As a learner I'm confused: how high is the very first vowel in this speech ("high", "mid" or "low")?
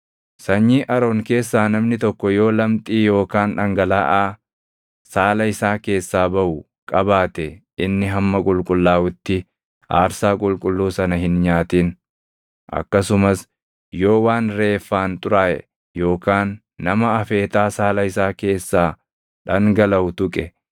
low